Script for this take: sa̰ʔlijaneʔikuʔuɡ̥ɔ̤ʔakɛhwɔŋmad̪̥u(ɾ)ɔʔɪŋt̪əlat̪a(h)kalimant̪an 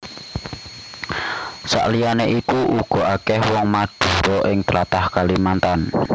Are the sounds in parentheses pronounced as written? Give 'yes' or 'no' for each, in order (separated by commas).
yes, yes